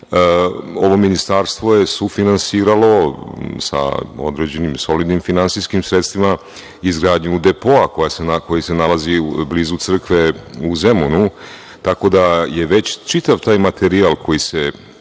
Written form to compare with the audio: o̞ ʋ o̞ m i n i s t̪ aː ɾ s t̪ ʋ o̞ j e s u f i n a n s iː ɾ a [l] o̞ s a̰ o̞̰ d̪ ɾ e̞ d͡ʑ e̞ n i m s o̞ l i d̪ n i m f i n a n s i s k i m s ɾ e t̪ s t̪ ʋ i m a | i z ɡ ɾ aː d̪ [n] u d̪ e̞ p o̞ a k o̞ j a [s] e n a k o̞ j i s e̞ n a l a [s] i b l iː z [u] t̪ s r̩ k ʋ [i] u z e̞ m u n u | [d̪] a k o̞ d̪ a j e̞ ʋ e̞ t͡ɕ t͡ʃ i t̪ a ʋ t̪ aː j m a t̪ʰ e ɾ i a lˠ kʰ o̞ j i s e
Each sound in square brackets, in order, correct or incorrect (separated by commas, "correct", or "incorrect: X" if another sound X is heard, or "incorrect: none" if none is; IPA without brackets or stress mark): correct, incorrect: ɲ, correct, incorrect: z, correct, incorrect: e, incorrect: t̪